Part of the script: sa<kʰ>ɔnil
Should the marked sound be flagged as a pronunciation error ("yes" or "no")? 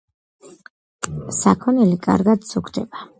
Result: no